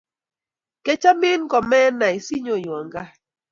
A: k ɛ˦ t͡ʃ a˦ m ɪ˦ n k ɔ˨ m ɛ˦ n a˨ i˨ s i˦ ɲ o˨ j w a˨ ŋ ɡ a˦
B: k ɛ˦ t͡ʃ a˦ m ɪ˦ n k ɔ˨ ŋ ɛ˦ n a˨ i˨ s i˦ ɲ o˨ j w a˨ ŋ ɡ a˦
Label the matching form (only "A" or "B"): A